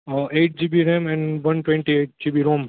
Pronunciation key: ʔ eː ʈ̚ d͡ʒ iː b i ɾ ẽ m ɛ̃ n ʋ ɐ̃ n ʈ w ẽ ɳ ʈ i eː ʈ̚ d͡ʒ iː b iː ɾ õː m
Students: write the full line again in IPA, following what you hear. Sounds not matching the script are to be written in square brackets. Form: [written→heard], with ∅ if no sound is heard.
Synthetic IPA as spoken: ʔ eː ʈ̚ d͡ʒ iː b i ɾ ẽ m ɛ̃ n ʋ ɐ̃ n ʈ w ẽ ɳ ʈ i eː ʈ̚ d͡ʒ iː b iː ɾ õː m